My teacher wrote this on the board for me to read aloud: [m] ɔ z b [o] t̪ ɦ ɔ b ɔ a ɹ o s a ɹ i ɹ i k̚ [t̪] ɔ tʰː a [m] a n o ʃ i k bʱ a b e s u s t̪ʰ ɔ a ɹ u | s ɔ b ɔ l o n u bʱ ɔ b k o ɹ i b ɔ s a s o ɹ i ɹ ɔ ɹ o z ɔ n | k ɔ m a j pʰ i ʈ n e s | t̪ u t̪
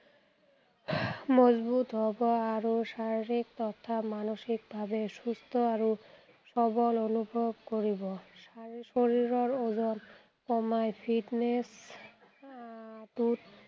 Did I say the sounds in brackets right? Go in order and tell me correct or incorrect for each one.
correct, incorrect: u, correct, correct

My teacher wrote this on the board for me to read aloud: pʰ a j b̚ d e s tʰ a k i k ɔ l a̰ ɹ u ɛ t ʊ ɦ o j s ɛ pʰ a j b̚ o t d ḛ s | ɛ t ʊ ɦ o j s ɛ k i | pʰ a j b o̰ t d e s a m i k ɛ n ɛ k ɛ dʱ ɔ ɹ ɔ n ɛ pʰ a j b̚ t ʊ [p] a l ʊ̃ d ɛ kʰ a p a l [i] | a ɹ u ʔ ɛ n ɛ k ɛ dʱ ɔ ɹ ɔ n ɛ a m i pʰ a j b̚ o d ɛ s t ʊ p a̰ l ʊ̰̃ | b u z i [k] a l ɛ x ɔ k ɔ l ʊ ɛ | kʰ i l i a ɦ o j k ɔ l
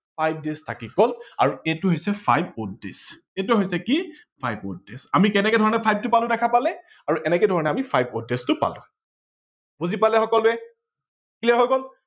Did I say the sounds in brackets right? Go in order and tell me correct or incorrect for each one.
correct, incorrect: ɛ, incorrect: p

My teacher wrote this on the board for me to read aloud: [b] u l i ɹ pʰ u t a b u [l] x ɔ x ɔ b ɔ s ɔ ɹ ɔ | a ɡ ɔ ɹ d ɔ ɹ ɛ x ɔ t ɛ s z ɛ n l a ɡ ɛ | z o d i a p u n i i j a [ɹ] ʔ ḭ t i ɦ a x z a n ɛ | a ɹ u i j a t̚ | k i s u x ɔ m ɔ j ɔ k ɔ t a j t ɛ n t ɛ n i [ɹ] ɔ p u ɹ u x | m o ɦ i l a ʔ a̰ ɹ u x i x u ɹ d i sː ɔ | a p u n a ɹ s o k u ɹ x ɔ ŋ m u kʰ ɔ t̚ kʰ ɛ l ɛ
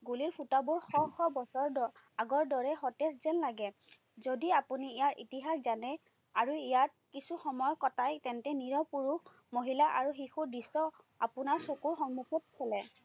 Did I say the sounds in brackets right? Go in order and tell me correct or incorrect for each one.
incorrect: ɡ, incorrect: ɹ, correct, correct

